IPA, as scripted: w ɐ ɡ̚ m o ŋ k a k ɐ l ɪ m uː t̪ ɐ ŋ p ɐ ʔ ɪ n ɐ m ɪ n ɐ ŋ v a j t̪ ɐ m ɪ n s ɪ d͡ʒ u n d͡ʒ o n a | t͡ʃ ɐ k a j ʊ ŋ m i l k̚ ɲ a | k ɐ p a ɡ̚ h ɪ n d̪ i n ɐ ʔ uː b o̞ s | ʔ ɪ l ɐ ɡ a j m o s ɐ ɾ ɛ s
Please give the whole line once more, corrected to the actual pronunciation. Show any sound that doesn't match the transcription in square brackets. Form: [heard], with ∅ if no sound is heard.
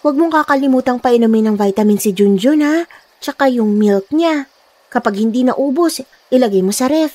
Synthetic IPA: w ɐ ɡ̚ m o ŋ k a k ɐ l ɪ m uː t̪ ɐ ŋ p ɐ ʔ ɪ n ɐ m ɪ n ɐ ŋ v a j t̪ ɐ m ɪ n s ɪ d͡ʒ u n d͡ʒ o n a | t͡ʃ ɐ k a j ʊ ŋ m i l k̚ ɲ a | k ɐ p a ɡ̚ h ɪ n d̪ i n ɐ ʔ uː b o̞ s | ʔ ɪ l ɐ ɡ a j m o s ɐ ɾ ɛ [f]